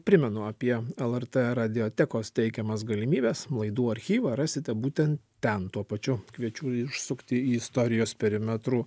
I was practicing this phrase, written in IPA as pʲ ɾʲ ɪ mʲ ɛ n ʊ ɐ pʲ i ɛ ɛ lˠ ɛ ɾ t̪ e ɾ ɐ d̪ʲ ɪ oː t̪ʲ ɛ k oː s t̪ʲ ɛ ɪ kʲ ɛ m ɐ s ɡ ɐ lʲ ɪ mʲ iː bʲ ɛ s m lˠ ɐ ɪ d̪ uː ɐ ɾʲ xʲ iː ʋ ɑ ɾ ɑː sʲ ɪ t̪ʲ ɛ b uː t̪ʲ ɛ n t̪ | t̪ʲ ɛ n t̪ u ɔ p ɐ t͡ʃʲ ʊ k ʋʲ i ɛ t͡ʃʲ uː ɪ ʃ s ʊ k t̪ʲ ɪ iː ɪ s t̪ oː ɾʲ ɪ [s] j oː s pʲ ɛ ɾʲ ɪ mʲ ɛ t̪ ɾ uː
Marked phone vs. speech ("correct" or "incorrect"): incorrect